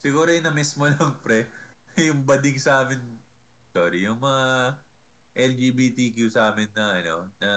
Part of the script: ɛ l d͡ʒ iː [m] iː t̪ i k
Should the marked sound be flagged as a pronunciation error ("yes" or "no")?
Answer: yes